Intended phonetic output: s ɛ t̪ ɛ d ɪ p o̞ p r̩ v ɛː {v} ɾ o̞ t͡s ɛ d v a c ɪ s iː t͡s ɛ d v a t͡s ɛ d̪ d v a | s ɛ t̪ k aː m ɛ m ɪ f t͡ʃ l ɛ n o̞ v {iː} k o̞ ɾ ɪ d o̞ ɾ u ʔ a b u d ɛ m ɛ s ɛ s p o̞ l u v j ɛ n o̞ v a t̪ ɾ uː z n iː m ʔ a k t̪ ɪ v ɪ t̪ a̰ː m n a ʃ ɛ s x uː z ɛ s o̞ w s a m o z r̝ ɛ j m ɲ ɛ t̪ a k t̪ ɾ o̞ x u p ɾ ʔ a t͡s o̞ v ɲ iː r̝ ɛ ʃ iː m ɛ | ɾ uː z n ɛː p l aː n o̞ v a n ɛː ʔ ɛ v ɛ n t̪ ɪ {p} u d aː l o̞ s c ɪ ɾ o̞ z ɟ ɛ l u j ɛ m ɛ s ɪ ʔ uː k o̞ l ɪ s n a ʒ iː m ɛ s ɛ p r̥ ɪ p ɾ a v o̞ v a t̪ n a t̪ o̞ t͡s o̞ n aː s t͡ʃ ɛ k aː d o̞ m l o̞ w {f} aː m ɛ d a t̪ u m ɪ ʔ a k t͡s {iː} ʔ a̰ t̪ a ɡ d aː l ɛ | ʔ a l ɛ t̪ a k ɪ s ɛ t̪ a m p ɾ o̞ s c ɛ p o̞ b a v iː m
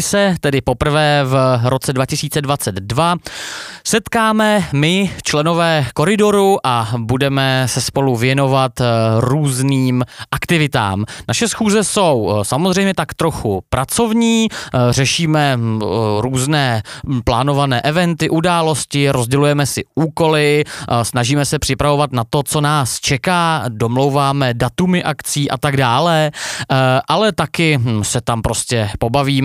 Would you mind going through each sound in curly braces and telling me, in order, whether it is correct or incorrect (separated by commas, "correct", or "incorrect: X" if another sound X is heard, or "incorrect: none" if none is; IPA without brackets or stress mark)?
correct, incorrect: ɛː, incorrect: ʔ, incorrect: v, correct